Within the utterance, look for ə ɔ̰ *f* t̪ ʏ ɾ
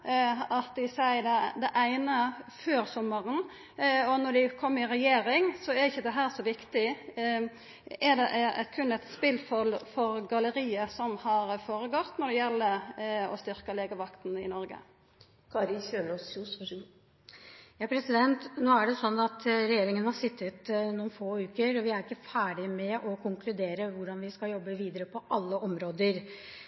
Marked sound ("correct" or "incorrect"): incorrect